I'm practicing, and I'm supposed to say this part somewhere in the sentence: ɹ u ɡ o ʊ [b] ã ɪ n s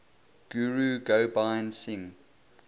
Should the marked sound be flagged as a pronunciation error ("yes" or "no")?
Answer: no